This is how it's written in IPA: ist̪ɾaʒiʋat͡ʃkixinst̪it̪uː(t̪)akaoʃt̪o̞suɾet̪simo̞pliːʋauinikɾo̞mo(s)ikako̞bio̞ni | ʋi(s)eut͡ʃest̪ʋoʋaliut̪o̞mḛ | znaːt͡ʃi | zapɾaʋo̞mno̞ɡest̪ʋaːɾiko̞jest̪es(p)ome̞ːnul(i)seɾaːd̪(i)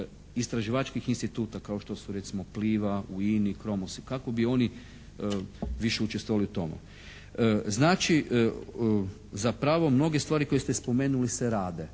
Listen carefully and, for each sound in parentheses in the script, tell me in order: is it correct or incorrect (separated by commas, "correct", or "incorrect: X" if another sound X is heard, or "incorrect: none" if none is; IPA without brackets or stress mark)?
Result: correct, correct, incorrect: ʃ, correct, correct, incorrect: e